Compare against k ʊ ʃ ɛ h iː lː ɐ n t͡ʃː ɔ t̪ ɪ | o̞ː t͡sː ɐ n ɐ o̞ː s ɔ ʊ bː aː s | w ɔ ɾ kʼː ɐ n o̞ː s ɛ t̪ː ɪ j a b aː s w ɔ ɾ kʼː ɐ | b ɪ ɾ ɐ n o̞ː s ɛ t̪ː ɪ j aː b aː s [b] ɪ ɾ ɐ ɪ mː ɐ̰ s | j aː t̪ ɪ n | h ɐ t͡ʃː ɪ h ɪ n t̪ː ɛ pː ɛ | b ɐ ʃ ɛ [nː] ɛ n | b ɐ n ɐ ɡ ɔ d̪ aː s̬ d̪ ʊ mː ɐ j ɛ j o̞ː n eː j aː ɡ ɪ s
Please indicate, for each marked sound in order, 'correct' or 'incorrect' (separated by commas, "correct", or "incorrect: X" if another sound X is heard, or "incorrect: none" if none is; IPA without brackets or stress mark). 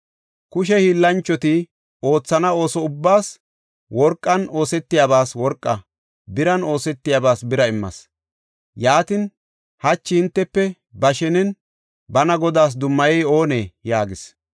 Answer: correct, incorrect: n